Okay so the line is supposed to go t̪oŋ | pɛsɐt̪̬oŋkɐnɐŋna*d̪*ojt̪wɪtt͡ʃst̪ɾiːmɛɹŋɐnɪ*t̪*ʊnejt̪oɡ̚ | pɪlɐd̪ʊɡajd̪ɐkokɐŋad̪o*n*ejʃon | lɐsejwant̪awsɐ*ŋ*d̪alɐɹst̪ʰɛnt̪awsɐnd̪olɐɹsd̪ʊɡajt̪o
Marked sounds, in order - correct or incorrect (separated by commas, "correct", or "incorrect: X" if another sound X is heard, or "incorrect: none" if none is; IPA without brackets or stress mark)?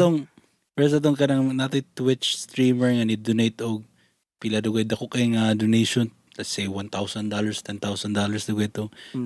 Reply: incorrect: t̪, incorrect: d̪, correct, incorrect: n